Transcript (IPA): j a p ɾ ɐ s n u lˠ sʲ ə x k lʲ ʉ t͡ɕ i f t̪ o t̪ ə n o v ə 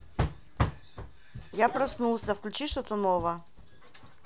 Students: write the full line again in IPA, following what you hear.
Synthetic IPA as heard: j a p ɾ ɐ s n u lˠ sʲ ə f k lʲ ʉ t͡ɕ i ʂ t̪ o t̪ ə n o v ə

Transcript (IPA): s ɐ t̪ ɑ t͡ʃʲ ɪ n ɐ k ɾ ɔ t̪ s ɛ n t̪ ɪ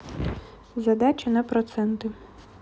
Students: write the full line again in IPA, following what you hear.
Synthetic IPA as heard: z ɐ d̪ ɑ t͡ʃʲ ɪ n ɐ p ɾ ɔ t̪ s ɛ n t̪ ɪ

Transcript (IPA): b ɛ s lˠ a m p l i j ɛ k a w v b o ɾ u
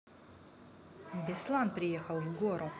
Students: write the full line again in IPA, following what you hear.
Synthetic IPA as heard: b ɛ s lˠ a n p ɾ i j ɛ x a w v ɡ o ɾ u

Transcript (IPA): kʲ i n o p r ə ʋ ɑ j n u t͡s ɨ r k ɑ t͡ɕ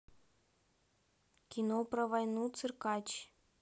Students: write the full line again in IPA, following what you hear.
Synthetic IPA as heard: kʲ i n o p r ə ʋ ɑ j n u t͡s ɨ r k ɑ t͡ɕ

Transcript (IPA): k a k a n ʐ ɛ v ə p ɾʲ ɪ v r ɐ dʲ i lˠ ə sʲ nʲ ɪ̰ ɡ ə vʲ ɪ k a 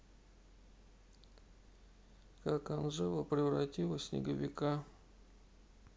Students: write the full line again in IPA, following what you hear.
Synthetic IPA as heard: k a k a n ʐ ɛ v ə p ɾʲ ɪ v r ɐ tʲ i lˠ ə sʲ nʲ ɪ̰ ɡ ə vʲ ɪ k a

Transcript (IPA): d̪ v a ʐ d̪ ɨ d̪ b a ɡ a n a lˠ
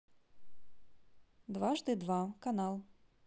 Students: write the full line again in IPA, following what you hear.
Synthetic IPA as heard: d̪ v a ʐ d̪ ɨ d̪ v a k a n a lˠ

